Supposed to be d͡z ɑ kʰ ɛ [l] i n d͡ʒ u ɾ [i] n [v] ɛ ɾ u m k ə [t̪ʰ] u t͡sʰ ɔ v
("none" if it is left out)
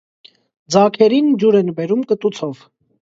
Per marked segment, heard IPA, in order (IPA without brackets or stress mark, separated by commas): ɾ, ɛ, b, t̪